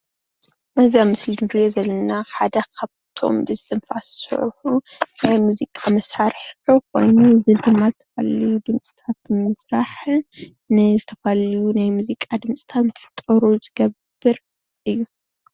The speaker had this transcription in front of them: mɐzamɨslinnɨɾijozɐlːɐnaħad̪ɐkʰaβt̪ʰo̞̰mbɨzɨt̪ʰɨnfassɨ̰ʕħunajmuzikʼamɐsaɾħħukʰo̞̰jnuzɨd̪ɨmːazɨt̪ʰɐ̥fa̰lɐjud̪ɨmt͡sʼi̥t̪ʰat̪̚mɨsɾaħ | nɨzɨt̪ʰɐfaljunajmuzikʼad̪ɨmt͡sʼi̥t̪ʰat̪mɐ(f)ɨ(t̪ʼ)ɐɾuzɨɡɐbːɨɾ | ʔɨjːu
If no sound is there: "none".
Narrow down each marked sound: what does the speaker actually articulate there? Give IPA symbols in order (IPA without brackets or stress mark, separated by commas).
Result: f, t̪ʼ